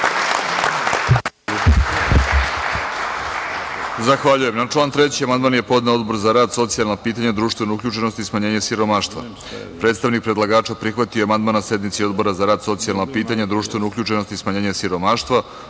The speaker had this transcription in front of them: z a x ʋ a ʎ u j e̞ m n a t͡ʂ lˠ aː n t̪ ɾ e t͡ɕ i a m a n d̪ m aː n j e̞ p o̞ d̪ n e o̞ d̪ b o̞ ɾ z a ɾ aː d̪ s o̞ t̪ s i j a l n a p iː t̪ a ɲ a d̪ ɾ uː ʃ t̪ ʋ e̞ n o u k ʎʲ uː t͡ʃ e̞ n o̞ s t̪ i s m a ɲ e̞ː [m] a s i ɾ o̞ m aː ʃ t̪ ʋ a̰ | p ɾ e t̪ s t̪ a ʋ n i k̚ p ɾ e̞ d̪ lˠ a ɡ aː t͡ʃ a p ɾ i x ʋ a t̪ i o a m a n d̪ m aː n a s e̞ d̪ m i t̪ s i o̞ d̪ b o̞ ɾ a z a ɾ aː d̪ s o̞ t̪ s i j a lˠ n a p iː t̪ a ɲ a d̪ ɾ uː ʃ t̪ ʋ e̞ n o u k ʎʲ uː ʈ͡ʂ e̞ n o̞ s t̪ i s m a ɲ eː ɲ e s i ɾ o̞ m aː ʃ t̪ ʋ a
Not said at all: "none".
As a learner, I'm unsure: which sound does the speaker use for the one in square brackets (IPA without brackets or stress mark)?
ɲ